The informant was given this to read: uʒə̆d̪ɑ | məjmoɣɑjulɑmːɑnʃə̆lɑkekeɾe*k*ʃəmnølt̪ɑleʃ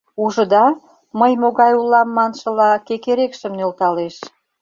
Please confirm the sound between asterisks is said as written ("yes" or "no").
yes